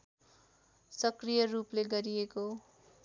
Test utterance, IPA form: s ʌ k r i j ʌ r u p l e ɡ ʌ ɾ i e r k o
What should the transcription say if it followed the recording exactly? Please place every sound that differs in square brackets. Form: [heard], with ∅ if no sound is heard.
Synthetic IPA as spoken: s ʌ k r i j ʌ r u p l e ɡ ʌ ɾ i e [∅] k o

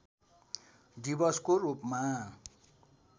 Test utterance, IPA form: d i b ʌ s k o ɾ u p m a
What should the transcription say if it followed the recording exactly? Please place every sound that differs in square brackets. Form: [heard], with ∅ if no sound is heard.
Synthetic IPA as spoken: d i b ʌ s k o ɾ u p m a

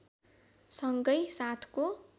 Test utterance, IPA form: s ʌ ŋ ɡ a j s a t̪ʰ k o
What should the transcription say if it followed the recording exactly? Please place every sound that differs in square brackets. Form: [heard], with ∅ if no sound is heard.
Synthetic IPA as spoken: s ʌ ŋ ɡ [ʌ] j s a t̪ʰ k o

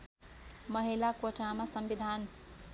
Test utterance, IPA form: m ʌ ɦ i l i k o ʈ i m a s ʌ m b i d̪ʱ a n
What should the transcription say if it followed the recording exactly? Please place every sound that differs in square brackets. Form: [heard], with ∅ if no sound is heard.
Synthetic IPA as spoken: m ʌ ɦ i l [a] k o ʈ [a] m a s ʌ m b i d̪ʱ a n

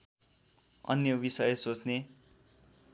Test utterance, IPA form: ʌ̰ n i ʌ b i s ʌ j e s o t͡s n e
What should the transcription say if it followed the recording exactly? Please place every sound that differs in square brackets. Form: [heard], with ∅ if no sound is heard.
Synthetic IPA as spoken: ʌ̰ n [j] ʌ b i s ʌ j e s o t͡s n e

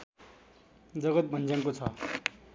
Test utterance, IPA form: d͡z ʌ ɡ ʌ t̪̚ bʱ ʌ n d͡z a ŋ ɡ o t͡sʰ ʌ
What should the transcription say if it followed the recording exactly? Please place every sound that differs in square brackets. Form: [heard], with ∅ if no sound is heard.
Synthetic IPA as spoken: d͡z ʌ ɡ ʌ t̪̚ bʱ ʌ n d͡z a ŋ [k] o t͡sʰ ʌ

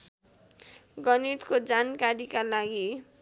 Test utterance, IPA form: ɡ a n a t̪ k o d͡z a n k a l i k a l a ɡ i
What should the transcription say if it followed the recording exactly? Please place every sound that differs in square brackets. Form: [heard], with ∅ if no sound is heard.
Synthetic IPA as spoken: ɡ [ʌ] n [i] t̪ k o d͡z a n k a [ɾ] i k a l a ɡ i

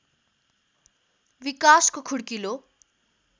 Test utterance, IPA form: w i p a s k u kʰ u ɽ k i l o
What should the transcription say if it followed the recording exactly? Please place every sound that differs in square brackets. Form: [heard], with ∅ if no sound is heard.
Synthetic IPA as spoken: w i [k] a s k [o] kʰ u ɽ k i l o

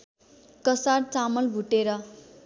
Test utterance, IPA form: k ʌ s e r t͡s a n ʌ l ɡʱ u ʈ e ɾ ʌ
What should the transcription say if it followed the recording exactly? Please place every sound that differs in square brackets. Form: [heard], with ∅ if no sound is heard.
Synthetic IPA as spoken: k ʌ s [a] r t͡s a [m] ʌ l [bʱ] u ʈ e ɾ ʌ

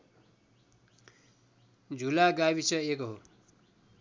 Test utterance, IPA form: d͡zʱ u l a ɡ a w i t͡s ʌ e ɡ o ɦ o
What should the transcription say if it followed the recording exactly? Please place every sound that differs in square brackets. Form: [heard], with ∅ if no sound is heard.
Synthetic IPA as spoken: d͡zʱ u l a ɡ a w i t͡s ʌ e [k] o ɦ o

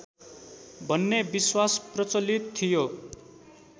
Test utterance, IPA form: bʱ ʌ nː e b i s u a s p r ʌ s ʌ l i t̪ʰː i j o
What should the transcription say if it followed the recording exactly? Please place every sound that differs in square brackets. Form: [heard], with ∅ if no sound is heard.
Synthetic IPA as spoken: bʱ ʌ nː e b i s [w] a s p r ʌ [t͡s] ʌ l i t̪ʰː i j o

